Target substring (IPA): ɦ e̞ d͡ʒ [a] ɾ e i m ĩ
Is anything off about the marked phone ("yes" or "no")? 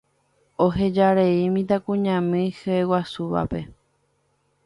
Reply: no